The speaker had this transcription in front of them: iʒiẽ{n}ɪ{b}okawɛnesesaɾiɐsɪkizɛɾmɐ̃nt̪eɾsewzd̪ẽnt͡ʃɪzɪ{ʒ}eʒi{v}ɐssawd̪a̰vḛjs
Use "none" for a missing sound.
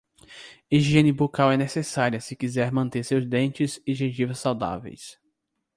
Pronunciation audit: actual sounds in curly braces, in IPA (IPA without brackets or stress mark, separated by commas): n, b, ʒ, v